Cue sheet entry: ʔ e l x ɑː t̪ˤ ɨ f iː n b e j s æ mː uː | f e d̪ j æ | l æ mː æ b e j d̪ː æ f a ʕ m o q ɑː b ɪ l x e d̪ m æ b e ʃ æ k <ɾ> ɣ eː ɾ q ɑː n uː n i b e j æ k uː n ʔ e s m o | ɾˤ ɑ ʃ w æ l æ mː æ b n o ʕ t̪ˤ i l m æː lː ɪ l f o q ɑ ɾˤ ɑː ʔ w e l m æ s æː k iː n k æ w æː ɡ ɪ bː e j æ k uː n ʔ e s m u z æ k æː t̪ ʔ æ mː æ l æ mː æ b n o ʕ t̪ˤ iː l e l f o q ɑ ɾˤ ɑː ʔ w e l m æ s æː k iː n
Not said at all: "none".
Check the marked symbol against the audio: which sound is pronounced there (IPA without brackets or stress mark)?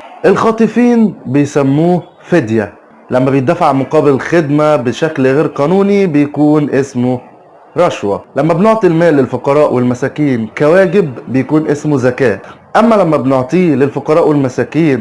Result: l